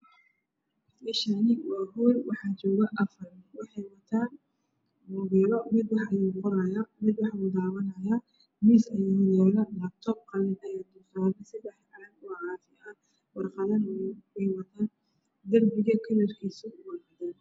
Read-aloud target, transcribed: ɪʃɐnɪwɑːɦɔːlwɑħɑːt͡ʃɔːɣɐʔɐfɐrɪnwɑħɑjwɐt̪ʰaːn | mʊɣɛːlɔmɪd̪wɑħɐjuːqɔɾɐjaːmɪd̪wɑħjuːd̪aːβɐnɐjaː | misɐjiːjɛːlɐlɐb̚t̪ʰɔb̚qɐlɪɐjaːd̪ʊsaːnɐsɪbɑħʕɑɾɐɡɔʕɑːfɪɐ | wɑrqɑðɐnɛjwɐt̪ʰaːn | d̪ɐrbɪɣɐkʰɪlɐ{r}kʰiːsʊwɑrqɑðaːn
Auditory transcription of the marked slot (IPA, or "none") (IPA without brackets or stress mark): r